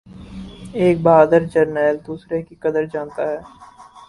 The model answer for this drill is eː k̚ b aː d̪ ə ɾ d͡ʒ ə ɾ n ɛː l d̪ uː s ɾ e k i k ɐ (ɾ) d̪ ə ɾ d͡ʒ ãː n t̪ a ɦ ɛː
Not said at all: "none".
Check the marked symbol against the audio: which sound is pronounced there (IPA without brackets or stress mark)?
none